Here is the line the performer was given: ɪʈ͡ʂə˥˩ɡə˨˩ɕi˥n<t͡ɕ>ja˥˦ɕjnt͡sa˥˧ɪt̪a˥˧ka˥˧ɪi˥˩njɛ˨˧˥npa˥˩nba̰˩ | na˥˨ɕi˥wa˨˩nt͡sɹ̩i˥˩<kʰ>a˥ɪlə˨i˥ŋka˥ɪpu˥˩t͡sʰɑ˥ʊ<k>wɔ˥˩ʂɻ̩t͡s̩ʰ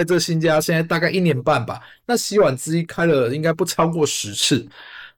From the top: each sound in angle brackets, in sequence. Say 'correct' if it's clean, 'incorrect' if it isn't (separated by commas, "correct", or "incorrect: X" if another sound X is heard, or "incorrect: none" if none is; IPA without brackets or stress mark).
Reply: correct, correct, correct